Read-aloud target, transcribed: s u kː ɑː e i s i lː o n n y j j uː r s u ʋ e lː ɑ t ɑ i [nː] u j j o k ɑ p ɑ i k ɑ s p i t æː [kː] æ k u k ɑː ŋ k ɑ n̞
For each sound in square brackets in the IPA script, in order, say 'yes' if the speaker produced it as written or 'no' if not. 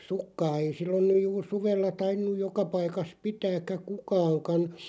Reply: yes, yes

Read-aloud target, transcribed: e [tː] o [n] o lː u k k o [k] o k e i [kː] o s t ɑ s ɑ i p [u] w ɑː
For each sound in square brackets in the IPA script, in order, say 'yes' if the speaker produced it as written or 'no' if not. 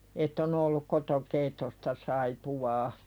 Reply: yes, yes, no, no, yes

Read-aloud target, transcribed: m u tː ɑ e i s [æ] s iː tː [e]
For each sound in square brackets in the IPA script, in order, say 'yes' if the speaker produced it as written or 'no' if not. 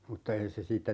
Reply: no, no

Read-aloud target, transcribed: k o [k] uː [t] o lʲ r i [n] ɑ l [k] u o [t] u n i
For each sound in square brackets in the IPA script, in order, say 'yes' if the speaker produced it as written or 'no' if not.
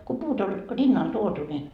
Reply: no, yes, no, no, yes

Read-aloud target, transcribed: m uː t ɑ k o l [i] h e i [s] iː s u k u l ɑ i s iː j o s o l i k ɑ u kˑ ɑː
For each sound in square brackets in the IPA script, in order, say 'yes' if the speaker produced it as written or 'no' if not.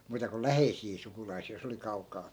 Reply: no, yes

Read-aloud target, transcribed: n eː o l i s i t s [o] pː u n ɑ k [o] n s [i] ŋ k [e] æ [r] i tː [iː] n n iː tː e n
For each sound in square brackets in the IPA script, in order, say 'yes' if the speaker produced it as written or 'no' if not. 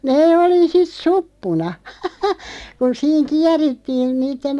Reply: no, no, no, no, yes, yes

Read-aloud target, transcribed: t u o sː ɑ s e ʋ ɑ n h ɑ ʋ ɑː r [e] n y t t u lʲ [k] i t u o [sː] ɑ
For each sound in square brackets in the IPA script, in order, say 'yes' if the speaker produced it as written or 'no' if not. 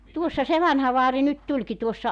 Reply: no, yes, yes

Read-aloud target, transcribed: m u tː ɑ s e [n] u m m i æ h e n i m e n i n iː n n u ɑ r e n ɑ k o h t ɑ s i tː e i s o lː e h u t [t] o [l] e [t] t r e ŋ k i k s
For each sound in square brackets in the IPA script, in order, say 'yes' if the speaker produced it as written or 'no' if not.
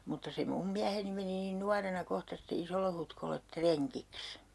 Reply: no, no, no, yes

